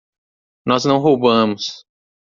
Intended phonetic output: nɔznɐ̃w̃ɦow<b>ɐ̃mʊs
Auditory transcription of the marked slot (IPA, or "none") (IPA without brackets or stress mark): b